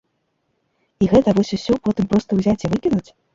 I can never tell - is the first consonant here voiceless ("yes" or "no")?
no